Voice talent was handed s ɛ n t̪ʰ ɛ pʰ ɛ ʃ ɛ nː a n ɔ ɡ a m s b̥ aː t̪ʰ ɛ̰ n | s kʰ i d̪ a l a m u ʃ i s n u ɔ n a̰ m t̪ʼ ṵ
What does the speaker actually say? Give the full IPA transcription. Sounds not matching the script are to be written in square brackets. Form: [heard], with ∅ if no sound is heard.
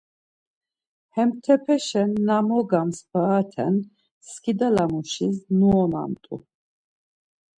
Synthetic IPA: [h] ɛ [m] t̪ʰ ɛ pʰ ɛ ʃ ɛ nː a [m] ɔ ɡ a m s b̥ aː t̪ʰ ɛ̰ n | s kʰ i d̪ a l a m u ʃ i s n u ɔ n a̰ m t̪ʼ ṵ